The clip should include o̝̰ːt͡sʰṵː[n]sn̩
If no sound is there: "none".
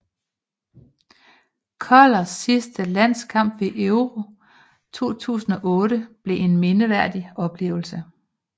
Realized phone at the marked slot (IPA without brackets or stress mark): none